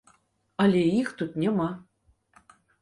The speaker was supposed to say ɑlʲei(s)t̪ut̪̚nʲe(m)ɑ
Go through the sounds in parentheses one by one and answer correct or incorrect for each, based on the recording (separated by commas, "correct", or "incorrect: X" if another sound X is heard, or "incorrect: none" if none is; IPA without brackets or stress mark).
incorrect: x, correct